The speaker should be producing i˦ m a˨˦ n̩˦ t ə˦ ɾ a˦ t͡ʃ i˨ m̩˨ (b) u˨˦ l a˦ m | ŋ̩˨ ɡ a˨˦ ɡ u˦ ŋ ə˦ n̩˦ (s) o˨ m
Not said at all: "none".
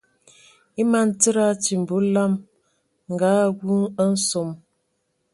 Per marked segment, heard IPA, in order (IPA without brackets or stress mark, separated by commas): b, s